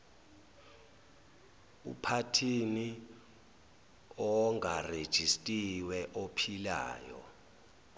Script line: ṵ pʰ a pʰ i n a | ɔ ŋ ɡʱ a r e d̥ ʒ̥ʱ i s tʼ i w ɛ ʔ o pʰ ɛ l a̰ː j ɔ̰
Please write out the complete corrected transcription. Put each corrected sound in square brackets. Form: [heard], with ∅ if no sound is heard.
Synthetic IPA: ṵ pʰ a [tʰ] i n [i] | ɔ ŋ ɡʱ a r e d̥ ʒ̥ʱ i s tʼ i w ɛ ʔ o pʰ [i] l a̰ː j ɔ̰